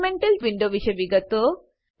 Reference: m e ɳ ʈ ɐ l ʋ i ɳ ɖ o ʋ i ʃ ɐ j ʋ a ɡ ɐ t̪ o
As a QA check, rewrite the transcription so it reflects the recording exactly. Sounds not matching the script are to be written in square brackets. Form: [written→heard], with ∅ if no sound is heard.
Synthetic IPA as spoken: m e ɳ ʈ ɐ l ʋ i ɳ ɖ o ʋ i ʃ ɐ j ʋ [a→i] ɡ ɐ t̪ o

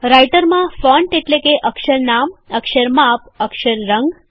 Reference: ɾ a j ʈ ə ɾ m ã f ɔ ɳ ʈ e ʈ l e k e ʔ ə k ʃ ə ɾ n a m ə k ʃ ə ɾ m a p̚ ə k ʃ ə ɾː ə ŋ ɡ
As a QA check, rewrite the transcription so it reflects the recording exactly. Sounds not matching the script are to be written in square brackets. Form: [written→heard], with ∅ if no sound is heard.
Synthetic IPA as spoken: ɾ a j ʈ ə ɾ m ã f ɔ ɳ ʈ e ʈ l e k e ʔ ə k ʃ ə ɾ n a m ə k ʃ ə ɾ m a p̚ ə k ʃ ə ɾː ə ŋ ɡ

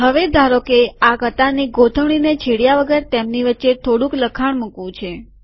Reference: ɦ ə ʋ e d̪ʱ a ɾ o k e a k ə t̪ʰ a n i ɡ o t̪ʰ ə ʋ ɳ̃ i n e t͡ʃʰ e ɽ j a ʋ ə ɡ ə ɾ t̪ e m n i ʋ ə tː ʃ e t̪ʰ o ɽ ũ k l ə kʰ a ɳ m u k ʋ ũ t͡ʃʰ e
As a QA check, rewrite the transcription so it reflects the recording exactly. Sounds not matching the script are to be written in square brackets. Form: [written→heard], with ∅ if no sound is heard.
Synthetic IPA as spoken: ɦ ə ʋ e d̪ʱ a ɾ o k e a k ə [t̪ʰ→t̪] a n i ɡ o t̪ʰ ə ʋ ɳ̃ i n e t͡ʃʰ e ɽ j a ʋ ə ɡ ə ɾ t̪ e m n i ʋ ə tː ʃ e t̪ʰ o ɽ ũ k l ə kʰ a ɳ m u k ʋ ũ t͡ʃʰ e

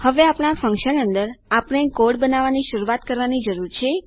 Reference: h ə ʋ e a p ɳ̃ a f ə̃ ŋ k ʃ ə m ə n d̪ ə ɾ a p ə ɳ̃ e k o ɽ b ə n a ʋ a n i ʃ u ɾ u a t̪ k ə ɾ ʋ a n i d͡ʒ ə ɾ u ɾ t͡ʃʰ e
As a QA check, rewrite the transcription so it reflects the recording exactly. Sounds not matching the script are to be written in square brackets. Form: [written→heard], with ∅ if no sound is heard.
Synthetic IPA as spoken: h ə ʋ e a p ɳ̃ a f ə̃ ŋ k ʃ ə [m→n] ə n d̪ ə ɾ a p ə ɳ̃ e k o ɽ b ə n a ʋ a n i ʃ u ɾ u a t̪ k ə ɾ ʋ a n i d͡ʒ ə ɾ u ɾ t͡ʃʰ e

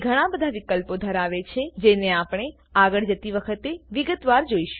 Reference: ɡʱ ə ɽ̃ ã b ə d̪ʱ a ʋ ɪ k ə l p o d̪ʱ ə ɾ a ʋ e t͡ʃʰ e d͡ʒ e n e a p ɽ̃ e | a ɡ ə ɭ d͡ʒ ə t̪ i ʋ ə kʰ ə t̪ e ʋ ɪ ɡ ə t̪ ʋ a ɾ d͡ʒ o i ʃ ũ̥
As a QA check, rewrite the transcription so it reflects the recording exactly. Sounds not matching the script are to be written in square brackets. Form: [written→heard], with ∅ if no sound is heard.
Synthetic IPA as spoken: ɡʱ ə ɽ̃ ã b ə d̪ʱ a ʋ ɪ k ə l p o d̪ʱ ə ɾ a ʋ e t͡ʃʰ e d͡ʒ e n e a p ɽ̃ e | a ɡ ə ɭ d͡ʒ ə t̪ i ʋ ə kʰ ə t̪ e ʋ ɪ ɡ ə t̪ ʋ a ɾ d͡ʒ o i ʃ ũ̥

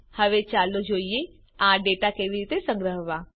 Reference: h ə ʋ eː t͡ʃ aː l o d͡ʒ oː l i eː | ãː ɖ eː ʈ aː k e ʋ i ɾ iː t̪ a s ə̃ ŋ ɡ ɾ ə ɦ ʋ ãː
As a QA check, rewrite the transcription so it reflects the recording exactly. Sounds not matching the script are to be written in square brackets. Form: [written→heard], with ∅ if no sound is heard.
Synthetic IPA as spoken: h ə ʋ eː t͡ʃ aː l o d͡ʒ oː [l→∅] i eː | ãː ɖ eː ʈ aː k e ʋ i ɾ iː t̪ [a→e] s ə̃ ŋ ɡ ɾ ə ɦ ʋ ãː

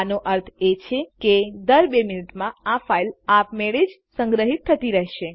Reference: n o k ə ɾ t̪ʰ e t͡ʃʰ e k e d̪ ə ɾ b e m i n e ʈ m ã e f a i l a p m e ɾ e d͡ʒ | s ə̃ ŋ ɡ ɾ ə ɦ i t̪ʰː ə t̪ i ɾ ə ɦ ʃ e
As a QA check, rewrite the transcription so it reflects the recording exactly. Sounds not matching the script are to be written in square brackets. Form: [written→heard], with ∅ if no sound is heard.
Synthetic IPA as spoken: n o [k→ʔ] ə ɾ t̪ʰ e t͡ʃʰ e k e d̪ ə ɾ b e m i n [e→i] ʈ m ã [e→a] f a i l a p m e [ɾ→ɭ] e d͡ʒ | s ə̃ ŋ ɡ ɾ ə ɦ i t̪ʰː ə t̪ i ɾ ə ɦ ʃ e

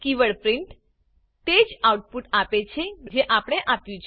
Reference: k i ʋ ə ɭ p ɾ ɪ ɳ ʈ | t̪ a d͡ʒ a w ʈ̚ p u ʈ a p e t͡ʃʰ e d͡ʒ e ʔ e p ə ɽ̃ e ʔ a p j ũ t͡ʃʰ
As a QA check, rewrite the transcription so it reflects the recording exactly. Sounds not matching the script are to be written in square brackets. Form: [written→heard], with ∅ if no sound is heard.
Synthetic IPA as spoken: k i ʋ ə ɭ p ɾ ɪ ɳ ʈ | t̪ [a→e] d͡ʒ a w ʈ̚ p u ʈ a p e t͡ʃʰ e d͡ʒ e ʔ [e→a] p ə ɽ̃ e ʔ a p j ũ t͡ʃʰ

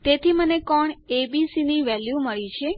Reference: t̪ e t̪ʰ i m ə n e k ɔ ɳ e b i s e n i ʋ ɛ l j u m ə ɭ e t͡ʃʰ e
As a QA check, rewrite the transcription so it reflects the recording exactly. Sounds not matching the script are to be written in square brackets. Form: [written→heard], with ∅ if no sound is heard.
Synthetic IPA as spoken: t̪ e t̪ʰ i m ə n e k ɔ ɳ e b i s [e→i] n i ʋ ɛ l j u m ə ɭ [e→i] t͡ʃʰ e

